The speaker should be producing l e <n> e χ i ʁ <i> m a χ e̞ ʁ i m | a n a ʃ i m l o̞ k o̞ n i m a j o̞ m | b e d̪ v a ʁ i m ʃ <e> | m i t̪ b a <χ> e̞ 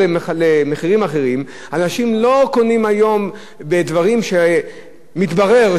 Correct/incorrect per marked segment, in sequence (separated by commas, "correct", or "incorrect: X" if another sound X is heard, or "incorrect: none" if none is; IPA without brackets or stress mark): incorrect: m, correct, correct, incorrect: ʁ